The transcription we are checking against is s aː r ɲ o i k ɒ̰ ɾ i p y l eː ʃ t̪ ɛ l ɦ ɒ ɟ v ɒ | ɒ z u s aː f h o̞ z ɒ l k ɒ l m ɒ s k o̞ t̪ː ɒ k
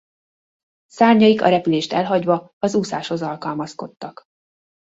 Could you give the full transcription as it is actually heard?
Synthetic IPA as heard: s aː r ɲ ɒ i k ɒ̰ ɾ ɛ p y l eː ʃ t̪ ɛ l ɦ ɒ ɟ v ɒ | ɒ z u s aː ʃ h o̞ z ɒ l k ɒ l m ɒ s k o̞ t̪ː ɒ k

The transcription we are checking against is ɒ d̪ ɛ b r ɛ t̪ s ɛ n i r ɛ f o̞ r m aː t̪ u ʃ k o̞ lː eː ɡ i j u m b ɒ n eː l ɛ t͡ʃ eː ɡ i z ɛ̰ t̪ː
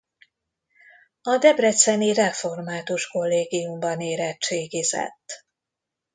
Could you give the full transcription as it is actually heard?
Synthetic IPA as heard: ɒ d̪ ɛ b r ɛ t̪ s ɛ n i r ɛ f o̞ r m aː t̪ u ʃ k o̞ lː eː ɡ i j u m b ɒ n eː ɾ ɛ t͡ʃ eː ɡ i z ɛ̰ t̪ː

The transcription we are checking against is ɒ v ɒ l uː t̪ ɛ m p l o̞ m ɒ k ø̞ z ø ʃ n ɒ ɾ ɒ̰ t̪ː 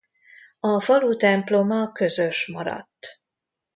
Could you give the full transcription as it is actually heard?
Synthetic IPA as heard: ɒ f ɒ l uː t̪ ɛ m p l o̞ m ɒ k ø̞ z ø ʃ m ɒ ɾ ɒ̰ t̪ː

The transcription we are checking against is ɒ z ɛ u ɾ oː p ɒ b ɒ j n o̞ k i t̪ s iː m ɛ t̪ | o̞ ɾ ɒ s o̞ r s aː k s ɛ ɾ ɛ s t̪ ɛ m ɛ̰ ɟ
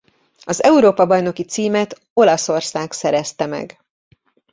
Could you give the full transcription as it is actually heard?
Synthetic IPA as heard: ɒ z ɛ u ɾ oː p ɒ b ɒ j n o̞ k i t̪ s iː m ɛ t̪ | o̞ l ɒ s o̞ r s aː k s ɛ ɾ ɛ s t̪ ɛ m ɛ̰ ɡ

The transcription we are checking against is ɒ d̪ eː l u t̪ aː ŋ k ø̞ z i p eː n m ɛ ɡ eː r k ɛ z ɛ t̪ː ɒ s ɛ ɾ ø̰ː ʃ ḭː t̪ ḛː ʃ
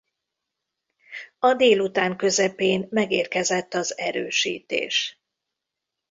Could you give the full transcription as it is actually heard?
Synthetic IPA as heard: ɒ d̪ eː l u t̪ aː ŋ k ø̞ z ɛ p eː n m ɛ ɡ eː r k ɛ z ɛ t̪ː ɒ z ɛ ɾ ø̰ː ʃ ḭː t̪ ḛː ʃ

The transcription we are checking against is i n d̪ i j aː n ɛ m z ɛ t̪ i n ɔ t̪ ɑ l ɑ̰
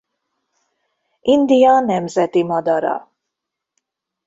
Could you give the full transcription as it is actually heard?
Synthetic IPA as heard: i n d̪ i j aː n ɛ m z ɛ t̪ i m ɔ d̪ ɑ ɾ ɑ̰

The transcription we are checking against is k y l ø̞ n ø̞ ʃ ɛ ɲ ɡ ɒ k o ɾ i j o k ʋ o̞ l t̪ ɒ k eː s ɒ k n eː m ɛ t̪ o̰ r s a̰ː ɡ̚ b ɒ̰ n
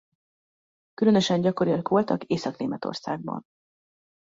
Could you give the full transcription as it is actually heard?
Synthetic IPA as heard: k y l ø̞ n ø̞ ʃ ɛ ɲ ɟ ɒ k o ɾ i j ɒ k ʋ o̞ l t̪ ɒ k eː s ɒ k n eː m ɛ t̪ o̰ r s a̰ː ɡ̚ b ɒ̰ n

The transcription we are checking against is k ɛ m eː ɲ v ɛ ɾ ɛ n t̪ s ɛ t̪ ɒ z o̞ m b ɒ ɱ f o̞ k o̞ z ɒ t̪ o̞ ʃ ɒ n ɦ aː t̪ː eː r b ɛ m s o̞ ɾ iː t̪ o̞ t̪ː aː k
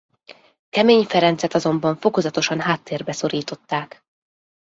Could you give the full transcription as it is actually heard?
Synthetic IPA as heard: k ɛ m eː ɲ f ɛ ɾ ɛ n t̪ s ɛ t̪ ɒ z o̞ m b ɒ ɱ f o̞ k o̞ z ɒ t̪ o̞ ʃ ɒ n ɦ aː t̪ː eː r b ɛ s o̞ ɾ iː t̪ o̞ t̪ː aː k

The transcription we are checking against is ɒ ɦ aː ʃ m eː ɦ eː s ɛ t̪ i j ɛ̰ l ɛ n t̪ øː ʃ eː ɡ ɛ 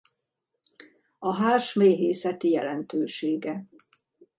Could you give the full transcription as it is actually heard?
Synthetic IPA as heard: ɒ ɦ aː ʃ m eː ɦ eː s ɛ t̪ i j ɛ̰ l ɛ n t̪ øː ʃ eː ɡ ɛ

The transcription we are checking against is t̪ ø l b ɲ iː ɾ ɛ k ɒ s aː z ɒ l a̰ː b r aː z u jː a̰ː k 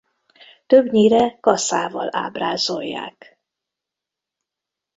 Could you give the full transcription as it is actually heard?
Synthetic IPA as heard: t̪ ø b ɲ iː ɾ ɛ k ɒ s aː v ɒ l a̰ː b r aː z o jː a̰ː k

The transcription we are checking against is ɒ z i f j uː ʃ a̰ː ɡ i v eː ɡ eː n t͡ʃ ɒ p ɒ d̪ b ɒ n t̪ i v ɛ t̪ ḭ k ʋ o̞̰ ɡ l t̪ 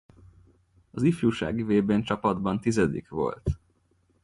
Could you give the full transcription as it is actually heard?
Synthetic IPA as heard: ɒ z i f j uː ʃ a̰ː ɡ i v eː b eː n t͡ʃ ɒ p ɒ d̪ b ɒ n t̪ i z ɛ d̪ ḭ k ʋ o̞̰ l t̪

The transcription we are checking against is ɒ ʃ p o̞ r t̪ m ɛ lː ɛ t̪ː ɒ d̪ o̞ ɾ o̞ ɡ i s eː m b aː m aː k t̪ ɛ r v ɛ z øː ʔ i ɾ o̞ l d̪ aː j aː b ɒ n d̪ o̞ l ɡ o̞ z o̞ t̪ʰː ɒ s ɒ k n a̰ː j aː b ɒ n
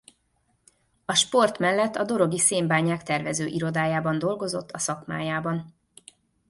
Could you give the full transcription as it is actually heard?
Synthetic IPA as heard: ɒ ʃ p o̞ r t̪ m ɛ lː ɛ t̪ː ɒ d̪ o̞ ɾ o̞ ɡ i s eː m b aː ɲ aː k t̪ ɛ r v ɛ z øː ʔ i ɾ o̞ d̪ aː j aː b ɒ n d̪ o̞ l ɡ o̞ z o̞ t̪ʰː ɒ s ɒ k m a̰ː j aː b ɒ n

